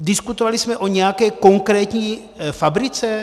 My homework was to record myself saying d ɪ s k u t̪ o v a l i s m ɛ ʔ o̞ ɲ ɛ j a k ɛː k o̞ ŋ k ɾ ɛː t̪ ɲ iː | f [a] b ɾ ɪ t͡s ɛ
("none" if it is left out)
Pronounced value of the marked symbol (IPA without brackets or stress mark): a